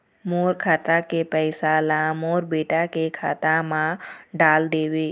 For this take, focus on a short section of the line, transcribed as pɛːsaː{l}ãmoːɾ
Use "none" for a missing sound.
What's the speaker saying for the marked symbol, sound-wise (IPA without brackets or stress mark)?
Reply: l